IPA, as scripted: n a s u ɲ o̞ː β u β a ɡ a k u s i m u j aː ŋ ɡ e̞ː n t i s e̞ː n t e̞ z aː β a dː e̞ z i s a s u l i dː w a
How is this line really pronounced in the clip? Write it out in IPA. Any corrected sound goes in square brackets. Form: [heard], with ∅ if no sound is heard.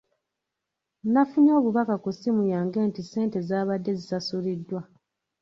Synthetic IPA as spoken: n a [f] u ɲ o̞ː β u β a [k] a k u s i m u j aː ŋ ɡ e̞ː n t i s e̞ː n t e̞ z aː β a dː e̞ z i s a s u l i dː w a